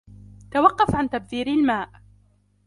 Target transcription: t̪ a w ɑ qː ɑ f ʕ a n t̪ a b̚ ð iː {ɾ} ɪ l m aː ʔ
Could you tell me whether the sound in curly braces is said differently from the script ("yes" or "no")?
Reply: no